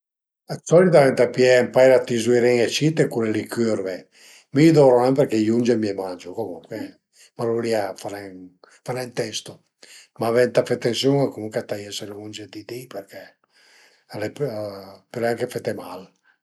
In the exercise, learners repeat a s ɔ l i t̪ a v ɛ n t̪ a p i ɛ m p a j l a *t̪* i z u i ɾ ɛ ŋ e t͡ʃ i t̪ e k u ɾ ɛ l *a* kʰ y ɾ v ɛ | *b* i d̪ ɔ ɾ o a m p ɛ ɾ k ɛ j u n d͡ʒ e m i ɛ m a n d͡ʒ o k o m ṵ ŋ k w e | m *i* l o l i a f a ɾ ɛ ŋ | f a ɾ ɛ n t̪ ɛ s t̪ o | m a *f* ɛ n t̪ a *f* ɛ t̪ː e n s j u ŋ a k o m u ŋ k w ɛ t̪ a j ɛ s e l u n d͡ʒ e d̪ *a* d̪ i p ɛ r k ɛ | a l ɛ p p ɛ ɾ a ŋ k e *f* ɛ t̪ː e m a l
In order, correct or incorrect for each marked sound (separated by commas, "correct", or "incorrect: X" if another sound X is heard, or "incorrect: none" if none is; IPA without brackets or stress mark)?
correct, incorrect: i, incorrect: m, incorrect: a, incorrect: v, correct, incorrect: i, correct